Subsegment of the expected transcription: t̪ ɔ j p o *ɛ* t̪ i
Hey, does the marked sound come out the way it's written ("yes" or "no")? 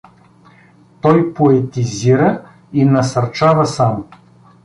yes